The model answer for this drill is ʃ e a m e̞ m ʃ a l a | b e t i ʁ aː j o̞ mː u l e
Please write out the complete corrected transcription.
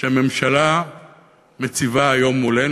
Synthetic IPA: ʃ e a m e̞ m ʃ a l a | m e t͡s i v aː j o̞ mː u l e